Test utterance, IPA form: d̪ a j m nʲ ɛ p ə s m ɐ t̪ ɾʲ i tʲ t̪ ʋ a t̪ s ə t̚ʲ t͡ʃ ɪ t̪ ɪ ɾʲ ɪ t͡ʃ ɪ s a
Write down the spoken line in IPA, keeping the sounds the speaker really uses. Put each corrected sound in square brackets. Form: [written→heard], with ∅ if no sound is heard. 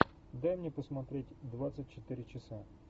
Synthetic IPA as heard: d̪ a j m nʲ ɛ p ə s m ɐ t̪ ɾʲ [i→e] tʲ [t̪→d̪] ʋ a t̪ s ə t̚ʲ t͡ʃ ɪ t̪ ɪ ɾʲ ɪ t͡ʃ ɪ s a